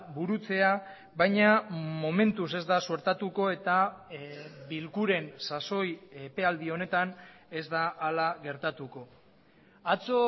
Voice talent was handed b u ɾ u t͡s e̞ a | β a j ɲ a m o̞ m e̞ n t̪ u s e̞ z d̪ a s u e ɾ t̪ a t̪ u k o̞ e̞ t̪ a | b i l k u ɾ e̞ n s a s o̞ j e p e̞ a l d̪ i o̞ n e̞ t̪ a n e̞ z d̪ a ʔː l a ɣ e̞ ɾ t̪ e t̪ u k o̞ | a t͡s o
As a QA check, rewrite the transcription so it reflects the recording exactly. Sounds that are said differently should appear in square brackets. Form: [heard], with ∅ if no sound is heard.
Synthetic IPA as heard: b u ɾ u t͡s e̞ a | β a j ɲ a m o̞ m e̞ n t̪ u s e̞ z d̪ a s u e ɾ t̪ a t̪ u k o̞ e̞ t̪ a | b i l k u ɾ e̞ n s a s o̞ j e p e̞ a l d̪ i o̞ n e̞ t̪ a n e̞ z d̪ a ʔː l a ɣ e̞ ɾ t̪ [a] t̪ u k o̞ | a t͡s o